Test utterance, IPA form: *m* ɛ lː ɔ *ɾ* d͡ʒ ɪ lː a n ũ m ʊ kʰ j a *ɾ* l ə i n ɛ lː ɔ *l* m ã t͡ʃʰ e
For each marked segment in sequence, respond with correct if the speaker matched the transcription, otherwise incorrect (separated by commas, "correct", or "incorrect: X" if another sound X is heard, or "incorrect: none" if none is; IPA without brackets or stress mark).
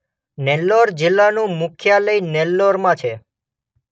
incorrect: n, correct, incorrect: none, incorrect: ɾ